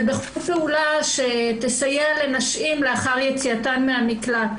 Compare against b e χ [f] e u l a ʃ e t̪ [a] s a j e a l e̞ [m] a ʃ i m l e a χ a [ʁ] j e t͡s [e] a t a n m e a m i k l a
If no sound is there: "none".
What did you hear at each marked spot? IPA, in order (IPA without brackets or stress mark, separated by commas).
f, e, n, ʁ, i